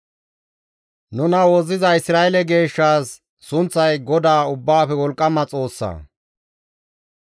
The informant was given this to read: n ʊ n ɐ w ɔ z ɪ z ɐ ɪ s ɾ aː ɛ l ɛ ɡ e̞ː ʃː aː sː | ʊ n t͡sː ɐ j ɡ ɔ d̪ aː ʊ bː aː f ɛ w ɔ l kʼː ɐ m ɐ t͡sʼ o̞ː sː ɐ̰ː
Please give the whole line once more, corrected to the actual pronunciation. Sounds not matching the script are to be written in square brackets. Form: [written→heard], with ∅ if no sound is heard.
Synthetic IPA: n ʊ n ɐ w ɔ z ɪ z ɐ ɪ s ɾ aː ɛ l ɛ ɡ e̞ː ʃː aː sː | ʊ n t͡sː ɐ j ɡ ɔ d̪ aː ʊ bː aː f ɛ w ɔ l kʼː ɐ m ɐ t͡sʼ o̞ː sː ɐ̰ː